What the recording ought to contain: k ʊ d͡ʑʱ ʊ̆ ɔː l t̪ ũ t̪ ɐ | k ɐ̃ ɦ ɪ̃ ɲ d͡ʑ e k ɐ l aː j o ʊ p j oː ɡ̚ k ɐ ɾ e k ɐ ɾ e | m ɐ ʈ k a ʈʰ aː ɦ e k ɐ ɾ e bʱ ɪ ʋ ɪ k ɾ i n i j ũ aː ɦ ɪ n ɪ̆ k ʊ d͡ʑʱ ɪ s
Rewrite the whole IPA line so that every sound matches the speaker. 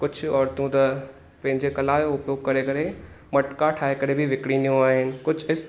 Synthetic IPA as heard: k ʊ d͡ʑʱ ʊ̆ ɔː ɾ t̪ ũ t̪ ɐ | p ɐ̃ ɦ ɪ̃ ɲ d͡ʑ e k ɐ l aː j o ʊ p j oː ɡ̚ k ɐ ɾ e k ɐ ɾ e | m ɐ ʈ k a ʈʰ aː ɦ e k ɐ ɾ e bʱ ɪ ʋ ɪ k ɽ i n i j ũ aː ɦ ɪ n ɪ̆ k ʊ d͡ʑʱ ɪ s